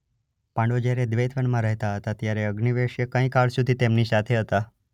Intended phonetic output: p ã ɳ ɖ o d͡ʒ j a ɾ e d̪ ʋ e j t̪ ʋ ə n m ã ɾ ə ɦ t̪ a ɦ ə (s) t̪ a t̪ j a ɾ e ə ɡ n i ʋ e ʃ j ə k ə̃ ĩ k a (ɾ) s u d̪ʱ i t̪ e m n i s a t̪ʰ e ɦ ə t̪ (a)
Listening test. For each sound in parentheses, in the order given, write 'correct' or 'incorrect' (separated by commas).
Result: incorrect, incorrect, correct